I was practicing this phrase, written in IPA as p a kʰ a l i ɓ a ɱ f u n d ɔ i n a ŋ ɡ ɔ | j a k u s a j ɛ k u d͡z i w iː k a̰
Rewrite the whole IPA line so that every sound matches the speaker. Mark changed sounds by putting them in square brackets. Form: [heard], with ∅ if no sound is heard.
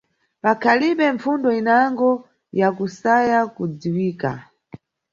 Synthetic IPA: p a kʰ a l i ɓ [ɛ] ɱ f u n d ɔ i n a ŋ ɡ ɔ | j a k u s a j [a] k u d͡z i w iː k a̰